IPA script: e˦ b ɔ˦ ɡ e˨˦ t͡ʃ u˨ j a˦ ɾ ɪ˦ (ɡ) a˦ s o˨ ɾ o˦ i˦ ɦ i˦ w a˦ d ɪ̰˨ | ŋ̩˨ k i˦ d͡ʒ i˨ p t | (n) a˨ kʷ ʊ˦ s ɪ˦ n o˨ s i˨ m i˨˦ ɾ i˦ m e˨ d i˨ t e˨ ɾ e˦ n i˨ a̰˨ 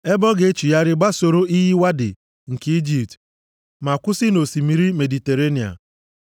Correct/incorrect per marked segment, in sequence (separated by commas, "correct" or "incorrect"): incorrect, incorrect